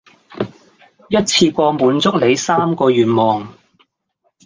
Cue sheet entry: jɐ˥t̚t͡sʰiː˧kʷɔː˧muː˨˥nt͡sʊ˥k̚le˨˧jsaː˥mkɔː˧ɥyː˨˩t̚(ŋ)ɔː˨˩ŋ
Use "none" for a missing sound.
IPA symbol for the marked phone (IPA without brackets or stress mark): m